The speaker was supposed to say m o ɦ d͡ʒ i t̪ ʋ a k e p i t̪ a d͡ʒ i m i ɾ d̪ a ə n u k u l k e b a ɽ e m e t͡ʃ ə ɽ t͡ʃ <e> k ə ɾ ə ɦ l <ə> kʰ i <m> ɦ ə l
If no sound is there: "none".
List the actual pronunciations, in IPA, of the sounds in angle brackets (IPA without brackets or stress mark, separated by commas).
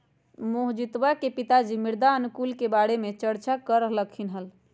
a, ə, n